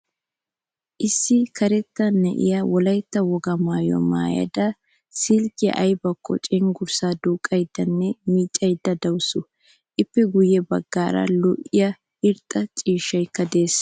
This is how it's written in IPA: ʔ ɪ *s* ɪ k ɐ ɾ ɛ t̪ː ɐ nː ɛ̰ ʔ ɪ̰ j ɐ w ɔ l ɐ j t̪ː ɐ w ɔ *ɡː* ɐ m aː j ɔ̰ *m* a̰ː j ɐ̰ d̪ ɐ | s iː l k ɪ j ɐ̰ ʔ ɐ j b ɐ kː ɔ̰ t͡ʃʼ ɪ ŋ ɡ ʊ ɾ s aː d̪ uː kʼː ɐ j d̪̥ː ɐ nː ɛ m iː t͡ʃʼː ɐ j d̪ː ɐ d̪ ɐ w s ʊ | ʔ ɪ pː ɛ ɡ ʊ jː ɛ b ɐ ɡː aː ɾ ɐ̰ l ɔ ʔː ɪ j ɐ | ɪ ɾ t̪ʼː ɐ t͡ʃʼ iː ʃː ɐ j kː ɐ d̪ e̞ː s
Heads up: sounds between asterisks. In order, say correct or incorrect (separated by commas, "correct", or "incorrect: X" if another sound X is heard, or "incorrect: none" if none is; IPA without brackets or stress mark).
incorrect: sː, incorrect: ɡ, correct